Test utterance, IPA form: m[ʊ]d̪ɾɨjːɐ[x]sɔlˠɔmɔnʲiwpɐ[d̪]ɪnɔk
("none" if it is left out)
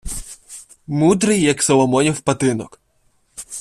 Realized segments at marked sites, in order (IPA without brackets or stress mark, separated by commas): u, k, t̪